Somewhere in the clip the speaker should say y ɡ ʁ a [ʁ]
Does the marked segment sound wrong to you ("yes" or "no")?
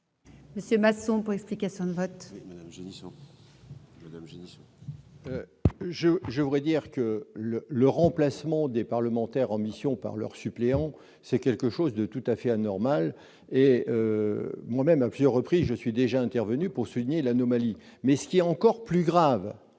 yes